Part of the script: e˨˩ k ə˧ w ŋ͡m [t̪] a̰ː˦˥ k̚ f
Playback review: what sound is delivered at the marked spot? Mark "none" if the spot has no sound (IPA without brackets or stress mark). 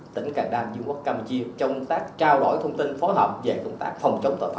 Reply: t̪